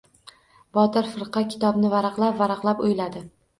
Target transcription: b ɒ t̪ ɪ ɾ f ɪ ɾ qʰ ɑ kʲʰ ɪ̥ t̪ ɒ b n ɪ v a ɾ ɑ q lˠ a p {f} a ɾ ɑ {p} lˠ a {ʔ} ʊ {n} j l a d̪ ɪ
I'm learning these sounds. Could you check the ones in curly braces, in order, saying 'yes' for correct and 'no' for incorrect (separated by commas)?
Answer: no, no, no, no